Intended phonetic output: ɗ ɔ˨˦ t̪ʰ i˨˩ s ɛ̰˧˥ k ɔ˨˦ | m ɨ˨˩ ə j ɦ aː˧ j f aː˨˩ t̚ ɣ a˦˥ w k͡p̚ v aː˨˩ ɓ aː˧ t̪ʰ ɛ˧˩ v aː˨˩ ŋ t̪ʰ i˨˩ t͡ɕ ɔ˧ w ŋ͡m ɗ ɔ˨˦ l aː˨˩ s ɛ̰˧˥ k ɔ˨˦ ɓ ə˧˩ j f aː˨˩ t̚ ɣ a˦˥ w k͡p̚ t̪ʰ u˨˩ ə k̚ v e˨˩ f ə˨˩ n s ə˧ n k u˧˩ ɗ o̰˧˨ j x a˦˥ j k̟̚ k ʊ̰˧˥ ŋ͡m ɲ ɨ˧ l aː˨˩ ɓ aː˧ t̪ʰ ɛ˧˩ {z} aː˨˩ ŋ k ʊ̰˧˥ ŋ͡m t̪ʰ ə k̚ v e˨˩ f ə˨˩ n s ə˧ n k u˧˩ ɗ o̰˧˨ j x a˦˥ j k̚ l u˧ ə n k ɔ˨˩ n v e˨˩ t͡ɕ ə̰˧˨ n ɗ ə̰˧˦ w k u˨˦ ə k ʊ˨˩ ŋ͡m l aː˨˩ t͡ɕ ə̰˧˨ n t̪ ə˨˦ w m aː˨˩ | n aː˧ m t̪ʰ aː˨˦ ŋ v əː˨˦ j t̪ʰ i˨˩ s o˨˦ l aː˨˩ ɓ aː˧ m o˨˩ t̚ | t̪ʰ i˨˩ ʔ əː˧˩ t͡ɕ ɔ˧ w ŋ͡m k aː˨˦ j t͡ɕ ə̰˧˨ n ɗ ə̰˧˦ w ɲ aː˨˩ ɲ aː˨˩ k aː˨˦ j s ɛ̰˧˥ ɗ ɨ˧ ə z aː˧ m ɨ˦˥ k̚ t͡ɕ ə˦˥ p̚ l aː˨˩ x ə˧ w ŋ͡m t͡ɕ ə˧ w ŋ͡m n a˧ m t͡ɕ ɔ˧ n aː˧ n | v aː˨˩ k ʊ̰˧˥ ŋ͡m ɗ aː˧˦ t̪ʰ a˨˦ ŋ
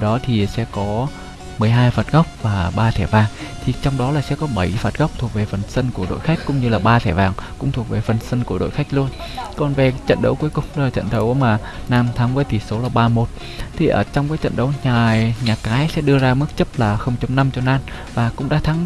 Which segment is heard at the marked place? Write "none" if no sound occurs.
v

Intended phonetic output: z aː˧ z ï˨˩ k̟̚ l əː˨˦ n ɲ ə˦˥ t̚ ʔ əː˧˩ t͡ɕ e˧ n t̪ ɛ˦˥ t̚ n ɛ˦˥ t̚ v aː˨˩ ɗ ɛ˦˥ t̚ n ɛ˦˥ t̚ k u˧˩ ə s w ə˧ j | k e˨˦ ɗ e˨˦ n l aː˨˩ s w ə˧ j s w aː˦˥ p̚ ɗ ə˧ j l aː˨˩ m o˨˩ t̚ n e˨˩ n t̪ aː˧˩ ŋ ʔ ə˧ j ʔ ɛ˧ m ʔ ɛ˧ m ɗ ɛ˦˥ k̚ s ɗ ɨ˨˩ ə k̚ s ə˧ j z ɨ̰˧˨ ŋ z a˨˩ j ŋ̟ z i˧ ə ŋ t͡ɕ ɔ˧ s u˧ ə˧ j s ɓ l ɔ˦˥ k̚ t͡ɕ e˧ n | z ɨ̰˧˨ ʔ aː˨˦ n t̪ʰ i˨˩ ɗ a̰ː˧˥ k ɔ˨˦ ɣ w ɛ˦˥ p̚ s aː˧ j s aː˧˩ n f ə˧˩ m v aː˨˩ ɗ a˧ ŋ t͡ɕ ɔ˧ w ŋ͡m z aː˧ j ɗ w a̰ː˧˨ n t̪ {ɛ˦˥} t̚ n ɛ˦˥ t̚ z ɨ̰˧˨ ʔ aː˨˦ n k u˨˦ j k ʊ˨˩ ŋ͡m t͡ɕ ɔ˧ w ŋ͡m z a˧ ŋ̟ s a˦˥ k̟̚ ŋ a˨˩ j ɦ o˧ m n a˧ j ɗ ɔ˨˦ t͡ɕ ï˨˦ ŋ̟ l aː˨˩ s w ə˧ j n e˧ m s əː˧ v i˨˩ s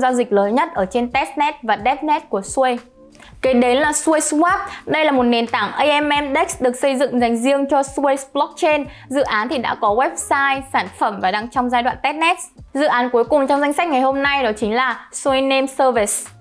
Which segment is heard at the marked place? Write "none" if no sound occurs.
ɛ˦˥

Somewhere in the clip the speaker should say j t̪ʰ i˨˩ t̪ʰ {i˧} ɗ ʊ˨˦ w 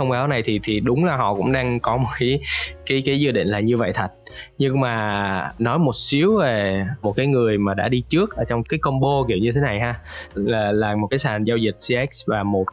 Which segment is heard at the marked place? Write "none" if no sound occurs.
i˨˩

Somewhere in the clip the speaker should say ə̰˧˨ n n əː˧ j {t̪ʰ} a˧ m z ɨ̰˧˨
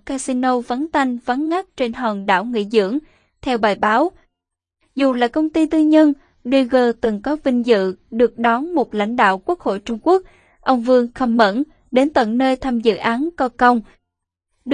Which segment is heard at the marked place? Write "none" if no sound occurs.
t̪ʰ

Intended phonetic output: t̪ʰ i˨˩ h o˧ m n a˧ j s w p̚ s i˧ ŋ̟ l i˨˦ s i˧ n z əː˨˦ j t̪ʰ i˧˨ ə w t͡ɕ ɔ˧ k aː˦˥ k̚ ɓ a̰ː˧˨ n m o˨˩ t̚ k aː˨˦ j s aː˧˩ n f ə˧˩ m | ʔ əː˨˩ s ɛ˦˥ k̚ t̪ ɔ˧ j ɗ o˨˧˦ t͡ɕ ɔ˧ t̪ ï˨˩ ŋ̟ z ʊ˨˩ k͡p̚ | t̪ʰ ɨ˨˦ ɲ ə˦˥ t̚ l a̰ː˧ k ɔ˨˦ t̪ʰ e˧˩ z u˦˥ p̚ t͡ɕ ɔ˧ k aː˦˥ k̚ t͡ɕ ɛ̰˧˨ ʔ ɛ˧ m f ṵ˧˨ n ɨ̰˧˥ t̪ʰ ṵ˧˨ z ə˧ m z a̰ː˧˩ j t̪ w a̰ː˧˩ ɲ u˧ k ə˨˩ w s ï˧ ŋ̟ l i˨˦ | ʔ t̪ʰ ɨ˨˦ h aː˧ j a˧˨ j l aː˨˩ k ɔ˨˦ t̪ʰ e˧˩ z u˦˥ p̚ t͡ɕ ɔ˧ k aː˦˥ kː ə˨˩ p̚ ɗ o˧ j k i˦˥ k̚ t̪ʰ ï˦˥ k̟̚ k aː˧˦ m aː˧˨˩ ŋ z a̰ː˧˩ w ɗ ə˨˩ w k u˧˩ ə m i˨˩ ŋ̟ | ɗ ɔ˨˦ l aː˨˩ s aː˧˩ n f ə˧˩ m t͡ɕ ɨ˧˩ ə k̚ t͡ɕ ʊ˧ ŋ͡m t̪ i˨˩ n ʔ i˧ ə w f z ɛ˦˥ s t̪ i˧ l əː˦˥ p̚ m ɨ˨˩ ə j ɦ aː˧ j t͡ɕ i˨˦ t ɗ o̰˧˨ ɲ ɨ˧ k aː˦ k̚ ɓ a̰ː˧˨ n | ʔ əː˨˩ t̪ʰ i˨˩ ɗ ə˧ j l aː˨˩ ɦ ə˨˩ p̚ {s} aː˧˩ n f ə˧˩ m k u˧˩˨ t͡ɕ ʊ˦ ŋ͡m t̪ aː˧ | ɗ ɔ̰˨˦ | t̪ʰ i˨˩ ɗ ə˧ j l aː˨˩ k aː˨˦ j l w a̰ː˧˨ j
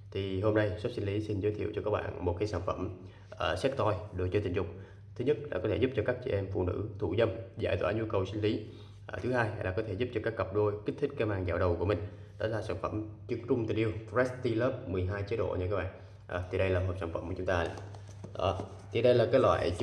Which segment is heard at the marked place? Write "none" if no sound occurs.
s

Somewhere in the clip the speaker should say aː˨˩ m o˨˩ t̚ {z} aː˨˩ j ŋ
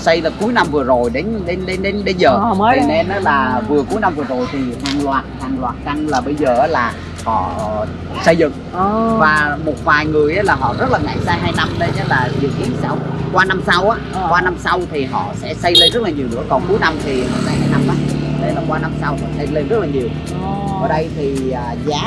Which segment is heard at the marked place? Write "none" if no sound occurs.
v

